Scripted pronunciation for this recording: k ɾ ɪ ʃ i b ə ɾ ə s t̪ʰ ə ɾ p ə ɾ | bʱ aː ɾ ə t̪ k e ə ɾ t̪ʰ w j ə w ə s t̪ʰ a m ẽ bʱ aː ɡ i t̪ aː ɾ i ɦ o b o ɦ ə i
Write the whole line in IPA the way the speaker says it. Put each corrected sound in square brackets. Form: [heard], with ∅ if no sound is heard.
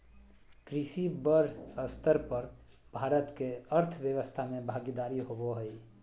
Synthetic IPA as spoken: k ɾ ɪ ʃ i b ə ɾ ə s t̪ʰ ə ɾ p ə ɾ | bʱ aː ɾ ə t̪ k e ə ɾ t̪ʰ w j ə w ə s t̪ʰ a m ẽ bʱ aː ɡ i [d̪] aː ɾ i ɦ o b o ɦ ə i